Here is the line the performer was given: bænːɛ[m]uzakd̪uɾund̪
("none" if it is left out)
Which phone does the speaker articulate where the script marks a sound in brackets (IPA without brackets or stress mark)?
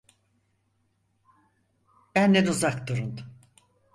n